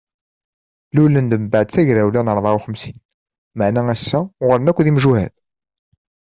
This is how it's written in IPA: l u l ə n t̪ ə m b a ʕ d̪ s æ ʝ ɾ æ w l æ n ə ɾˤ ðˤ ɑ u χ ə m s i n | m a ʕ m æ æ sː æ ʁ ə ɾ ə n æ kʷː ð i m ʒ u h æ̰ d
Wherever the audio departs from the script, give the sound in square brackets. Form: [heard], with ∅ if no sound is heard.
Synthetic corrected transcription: l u l ə n [d̪] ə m b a ʕ d̪ [θ] æ ʝ ɾ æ w l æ n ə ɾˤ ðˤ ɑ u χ ə m s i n | m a ʕ [n] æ æ sː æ ʁ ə ɾ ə n æ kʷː ð i m ʒ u h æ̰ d

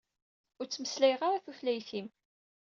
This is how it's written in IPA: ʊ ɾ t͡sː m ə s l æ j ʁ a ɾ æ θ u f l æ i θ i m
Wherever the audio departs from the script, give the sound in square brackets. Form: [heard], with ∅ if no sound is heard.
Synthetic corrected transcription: ʊ ɾ t͡sː m ə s l æ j ʁ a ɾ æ θ u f l æ [j] θ i m

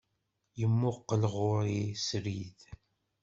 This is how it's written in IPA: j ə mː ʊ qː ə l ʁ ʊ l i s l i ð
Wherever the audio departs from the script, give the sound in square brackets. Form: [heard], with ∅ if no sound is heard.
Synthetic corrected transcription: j ə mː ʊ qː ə l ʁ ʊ [ɾ] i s [ɾ] i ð

